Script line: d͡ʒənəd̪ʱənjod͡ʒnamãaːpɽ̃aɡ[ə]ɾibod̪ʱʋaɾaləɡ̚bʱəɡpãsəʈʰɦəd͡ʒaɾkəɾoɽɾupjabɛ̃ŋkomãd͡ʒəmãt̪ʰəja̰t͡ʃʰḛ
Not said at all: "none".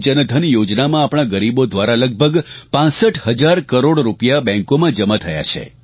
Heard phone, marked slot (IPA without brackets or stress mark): ə